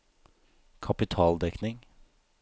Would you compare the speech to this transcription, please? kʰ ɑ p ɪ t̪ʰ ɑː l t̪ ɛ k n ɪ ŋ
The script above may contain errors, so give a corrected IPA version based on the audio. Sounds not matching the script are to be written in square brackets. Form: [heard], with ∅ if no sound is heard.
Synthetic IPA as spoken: kʰ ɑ p ɪ t̪ʰ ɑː l [d̪] ɛ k n ɪ ŋ